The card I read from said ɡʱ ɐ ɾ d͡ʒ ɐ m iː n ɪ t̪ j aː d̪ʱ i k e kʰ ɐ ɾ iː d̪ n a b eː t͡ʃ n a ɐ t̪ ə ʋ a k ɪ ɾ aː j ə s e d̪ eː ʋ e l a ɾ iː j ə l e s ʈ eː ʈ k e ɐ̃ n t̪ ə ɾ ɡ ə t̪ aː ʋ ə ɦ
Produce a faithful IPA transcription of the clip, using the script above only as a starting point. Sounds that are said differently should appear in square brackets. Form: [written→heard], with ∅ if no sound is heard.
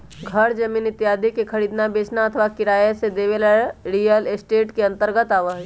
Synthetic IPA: ɡʱ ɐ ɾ d͡ʒ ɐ m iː n ɪ t̪ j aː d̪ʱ i k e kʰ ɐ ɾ iː d̪ n a b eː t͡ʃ n a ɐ [t̪→t̪ʰ] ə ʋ a k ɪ ɾ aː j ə s e d̪ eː ʋ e l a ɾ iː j ə l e s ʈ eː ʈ k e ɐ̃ n t̪ ə ɾ ɡ ə t̪ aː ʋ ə ɦ